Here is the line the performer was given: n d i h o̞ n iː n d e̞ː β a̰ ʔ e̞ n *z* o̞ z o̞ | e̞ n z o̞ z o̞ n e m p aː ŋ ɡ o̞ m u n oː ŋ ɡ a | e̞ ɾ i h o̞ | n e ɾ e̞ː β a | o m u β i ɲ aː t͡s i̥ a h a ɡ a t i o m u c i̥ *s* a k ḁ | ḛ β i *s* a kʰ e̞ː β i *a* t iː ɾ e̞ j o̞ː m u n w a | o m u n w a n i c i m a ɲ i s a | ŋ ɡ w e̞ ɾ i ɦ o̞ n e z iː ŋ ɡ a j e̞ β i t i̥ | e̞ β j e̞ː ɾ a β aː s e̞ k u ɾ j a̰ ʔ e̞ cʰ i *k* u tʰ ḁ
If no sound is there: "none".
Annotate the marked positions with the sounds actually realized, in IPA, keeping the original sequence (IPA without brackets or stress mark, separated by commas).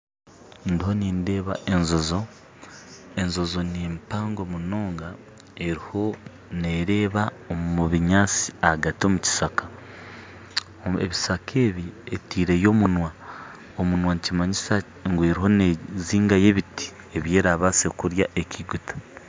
z, s, s, e, ɡ